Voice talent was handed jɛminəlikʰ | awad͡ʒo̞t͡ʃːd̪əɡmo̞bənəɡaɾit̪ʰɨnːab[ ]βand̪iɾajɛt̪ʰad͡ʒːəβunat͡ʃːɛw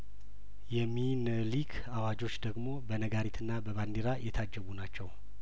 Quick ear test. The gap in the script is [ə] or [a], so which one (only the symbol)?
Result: ə